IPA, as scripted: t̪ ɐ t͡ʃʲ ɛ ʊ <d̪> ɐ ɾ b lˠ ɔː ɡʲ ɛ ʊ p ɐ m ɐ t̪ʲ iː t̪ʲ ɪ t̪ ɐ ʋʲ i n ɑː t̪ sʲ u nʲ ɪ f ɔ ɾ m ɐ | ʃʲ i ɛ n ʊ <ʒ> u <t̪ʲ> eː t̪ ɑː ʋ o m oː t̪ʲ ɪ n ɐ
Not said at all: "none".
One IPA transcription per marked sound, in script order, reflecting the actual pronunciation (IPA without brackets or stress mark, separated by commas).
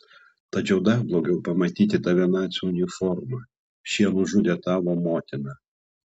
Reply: d̪, ʒ, d̪ʲ